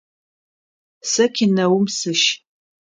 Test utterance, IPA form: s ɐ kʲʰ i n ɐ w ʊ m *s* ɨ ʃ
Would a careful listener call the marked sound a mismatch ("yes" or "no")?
no